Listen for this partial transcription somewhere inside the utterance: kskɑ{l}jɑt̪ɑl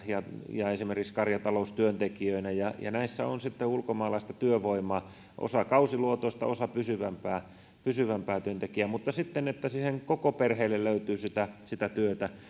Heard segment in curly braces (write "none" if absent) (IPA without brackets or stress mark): r